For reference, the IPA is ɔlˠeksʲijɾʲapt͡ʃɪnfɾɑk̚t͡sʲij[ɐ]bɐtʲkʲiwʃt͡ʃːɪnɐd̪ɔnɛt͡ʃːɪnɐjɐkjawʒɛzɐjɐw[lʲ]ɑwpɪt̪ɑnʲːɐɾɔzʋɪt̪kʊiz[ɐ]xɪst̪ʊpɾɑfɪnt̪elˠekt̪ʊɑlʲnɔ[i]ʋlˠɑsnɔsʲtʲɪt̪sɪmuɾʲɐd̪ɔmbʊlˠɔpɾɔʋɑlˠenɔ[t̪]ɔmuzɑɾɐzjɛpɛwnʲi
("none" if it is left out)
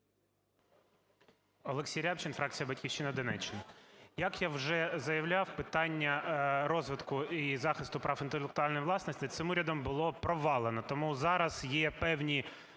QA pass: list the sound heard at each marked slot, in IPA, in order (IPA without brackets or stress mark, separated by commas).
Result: ɐ, lʲ, ɑ, j, t̪